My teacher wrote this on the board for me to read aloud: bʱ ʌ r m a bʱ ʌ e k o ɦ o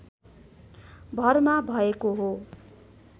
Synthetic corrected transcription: bʱ ʌ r m a bʱ ʌ e k o ɦ o